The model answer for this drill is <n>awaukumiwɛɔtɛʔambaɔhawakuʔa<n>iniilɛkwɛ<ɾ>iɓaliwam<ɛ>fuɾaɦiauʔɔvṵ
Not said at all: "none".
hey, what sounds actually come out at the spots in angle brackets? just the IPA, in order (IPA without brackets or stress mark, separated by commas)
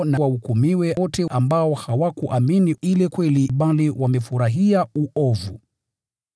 n, m, l, ɛ